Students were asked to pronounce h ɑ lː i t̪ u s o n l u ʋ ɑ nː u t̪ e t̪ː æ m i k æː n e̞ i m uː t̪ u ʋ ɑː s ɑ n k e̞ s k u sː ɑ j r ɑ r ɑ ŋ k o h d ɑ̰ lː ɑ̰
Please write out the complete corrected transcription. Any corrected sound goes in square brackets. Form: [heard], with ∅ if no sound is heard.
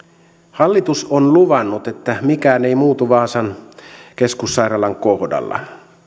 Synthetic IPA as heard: h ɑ lː i t̪ u s o n l u ʋ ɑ nː u t̪ e t̪ː æ m i k æː n e̞ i m uː t̪ u ʋ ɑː s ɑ n k e̞ s k u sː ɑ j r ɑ [l] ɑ ŋ k o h d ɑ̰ lː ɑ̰